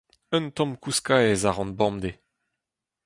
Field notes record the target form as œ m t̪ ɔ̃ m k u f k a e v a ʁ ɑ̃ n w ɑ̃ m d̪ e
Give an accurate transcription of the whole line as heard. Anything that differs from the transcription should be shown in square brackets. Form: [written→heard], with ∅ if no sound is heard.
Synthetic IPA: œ [m→n] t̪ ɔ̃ m k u [f→s] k a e [v→z] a ʁ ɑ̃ n [w→b] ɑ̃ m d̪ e